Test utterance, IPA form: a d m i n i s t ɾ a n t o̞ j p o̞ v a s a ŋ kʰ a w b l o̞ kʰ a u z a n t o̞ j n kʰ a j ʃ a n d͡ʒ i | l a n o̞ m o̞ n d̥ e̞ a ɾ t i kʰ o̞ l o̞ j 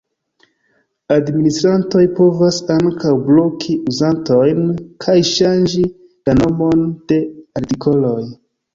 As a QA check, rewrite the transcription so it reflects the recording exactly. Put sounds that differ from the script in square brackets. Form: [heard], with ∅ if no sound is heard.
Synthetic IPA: a d m i n i s t ɾ a n t o̞ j p o̞ v a s a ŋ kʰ a w b l o̞ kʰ [i] u z a n t o̞ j n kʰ a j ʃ a n d͡ʒ i | l a n o̞ m o̞ n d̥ e̞ a ɾ t i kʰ o̞ l o̞ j